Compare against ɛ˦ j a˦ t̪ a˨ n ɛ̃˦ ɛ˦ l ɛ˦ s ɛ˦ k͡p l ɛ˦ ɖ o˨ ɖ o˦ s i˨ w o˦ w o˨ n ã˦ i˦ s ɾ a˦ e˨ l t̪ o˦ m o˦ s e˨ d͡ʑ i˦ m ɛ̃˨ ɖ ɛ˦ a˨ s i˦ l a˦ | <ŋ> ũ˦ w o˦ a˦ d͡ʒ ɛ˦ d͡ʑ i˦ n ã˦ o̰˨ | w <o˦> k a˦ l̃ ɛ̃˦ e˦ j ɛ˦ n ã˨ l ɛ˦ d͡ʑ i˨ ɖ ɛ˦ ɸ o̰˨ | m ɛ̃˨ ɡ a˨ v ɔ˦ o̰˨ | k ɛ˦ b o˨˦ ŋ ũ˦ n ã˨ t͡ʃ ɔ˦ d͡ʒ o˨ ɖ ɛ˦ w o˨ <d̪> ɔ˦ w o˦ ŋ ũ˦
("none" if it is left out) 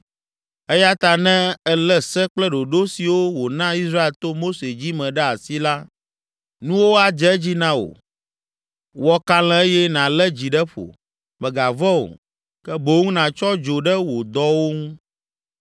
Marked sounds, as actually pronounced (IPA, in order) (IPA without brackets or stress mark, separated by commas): n, ɔ˦, d̪